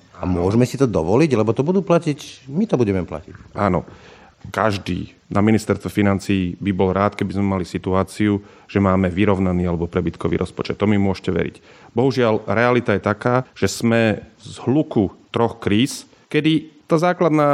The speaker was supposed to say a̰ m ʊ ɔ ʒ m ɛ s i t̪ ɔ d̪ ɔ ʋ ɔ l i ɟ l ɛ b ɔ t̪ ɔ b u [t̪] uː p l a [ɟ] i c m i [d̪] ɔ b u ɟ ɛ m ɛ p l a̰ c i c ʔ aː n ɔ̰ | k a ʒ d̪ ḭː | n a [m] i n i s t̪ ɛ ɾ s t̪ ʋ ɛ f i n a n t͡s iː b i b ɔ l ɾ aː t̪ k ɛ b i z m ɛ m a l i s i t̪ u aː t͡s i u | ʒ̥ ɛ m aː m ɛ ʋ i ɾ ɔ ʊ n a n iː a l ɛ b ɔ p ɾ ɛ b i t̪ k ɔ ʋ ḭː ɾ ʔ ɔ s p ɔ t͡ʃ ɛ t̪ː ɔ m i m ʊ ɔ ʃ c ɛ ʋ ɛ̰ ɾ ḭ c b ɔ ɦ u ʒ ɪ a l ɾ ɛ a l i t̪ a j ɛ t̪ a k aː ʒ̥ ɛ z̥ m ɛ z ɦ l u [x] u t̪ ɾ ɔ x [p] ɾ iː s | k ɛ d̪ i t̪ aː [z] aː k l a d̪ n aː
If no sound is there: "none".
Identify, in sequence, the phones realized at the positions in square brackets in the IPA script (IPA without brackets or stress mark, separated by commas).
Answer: d̪, c, t̪, m, k, k, z